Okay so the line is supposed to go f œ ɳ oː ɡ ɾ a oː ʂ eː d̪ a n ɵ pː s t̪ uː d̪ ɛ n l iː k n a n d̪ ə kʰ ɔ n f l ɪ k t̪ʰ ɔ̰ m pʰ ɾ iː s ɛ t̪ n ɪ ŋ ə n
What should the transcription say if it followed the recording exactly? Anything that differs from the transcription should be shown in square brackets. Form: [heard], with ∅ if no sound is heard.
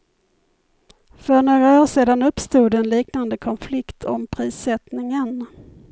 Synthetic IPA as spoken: f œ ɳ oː ɡ ɾ a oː ʂ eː d̪ a n ɵ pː s t̪ uː d̪ ɛ n l iː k n a n d̪ ə kʰ ɔ n f l ɪ k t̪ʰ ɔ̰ m pʰ ɾ iː s ɛ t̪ n ɪ ŋ ə n